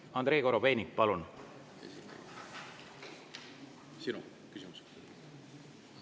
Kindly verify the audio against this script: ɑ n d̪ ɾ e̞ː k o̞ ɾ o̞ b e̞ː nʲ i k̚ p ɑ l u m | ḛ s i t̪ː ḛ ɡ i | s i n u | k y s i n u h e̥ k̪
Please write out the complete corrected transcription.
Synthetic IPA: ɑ n d̪ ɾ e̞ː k o̞ ɾ o̞ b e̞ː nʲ i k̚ p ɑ l u n | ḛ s i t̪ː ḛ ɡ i | s i n u | k y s i m u s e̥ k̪